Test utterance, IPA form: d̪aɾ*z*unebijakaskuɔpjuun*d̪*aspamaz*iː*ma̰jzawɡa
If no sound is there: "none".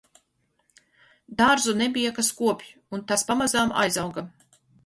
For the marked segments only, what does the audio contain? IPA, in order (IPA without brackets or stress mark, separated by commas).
z, t̪, aː